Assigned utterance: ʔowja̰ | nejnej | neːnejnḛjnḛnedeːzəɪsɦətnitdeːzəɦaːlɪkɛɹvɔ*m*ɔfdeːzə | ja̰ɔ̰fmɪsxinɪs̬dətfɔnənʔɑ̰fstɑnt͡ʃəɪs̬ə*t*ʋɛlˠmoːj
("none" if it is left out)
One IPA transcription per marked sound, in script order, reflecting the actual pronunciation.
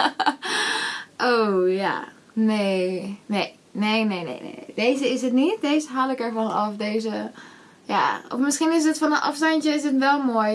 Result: n, t

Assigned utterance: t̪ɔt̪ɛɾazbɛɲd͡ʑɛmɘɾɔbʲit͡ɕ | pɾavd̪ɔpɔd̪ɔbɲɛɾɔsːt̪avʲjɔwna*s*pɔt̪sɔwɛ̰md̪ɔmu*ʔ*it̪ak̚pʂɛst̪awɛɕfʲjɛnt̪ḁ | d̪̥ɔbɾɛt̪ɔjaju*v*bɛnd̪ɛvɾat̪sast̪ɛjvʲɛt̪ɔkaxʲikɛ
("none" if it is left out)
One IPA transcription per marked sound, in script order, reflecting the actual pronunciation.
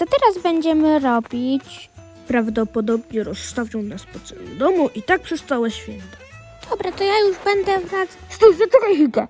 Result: s, ʔ, ʐ

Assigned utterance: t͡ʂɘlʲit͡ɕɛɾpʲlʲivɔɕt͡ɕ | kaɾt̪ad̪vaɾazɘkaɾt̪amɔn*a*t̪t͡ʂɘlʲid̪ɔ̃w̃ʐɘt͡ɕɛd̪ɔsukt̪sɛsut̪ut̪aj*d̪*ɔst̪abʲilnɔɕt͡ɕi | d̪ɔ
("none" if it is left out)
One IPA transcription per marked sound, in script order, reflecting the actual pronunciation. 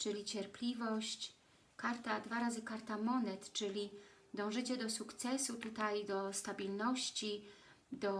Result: ɛ, d̪

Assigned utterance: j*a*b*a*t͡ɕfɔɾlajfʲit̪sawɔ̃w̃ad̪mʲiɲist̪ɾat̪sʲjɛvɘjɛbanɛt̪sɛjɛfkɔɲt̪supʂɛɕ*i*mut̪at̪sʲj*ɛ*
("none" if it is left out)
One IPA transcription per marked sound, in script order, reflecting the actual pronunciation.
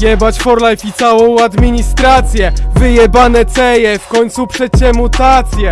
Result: ɛ, a, ɛ, ɛ

